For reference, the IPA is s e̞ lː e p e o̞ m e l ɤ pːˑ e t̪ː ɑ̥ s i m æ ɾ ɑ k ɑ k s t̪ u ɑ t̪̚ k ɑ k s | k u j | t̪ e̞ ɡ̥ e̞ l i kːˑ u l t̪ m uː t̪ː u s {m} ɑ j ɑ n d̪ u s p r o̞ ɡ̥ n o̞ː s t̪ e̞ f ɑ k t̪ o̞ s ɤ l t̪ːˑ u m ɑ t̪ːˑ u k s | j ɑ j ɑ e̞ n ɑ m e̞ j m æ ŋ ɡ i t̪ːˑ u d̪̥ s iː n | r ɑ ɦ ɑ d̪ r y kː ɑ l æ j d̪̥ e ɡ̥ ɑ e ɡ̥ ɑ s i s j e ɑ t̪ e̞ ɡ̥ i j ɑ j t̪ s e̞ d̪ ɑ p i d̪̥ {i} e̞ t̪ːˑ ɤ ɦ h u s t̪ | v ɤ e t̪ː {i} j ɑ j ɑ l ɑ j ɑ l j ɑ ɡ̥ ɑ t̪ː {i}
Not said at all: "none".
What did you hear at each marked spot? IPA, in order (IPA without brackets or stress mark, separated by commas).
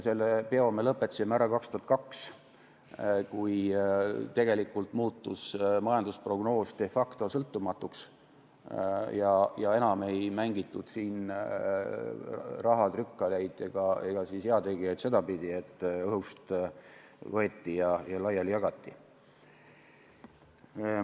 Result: m, i, i, i